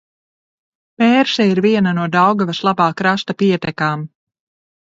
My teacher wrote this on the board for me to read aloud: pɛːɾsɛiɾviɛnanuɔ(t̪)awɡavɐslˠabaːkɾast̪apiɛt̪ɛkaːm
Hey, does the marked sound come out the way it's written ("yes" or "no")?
no